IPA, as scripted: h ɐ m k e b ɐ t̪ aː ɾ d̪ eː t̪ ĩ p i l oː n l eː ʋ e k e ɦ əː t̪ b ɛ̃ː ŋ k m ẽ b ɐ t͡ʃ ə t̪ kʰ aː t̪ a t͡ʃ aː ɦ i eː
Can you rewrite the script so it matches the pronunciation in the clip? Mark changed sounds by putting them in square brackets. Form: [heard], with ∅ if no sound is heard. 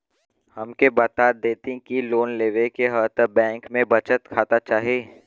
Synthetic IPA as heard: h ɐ m k e b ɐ t̪ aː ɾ d̪ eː t̪ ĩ [k] i l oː n l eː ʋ e k e ɦ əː t̪ b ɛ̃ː ŋ k m ẽ b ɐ t͡ʃ ə t̪ kʰ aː t̪ a t͡ʃ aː ɦ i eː